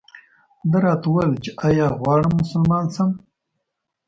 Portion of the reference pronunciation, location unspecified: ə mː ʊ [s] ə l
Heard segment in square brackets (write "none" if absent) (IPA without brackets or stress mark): s